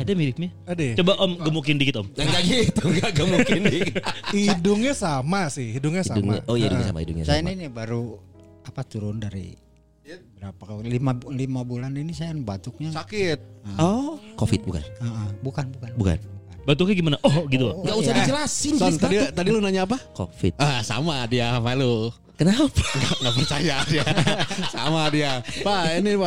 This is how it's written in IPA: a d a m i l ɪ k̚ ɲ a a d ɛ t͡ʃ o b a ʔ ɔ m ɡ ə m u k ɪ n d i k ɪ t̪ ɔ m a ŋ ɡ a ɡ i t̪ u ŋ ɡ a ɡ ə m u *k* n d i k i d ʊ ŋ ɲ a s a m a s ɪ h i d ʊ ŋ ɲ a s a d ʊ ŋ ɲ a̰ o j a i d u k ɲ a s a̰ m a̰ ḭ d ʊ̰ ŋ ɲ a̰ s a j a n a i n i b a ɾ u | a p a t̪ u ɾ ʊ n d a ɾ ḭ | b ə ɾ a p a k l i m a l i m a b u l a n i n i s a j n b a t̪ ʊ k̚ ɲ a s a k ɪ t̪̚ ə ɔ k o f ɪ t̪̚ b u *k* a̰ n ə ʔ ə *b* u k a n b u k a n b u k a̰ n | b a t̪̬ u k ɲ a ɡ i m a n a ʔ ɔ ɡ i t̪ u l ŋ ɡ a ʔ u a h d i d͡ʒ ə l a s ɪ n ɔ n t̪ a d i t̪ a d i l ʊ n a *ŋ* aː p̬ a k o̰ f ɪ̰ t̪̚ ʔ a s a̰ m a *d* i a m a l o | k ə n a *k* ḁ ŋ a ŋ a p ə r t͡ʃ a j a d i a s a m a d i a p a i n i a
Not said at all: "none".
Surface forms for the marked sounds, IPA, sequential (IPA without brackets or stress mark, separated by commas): k, k, b, ɲ, d, p